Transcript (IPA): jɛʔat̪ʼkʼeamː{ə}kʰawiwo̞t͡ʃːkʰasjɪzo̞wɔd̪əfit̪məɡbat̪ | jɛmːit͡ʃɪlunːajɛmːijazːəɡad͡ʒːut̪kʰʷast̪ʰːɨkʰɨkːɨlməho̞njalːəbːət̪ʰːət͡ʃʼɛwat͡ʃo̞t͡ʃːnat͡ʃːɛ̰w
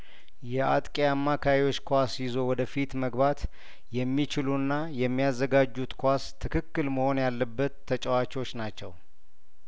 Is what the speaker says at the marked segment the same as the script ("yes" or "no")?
no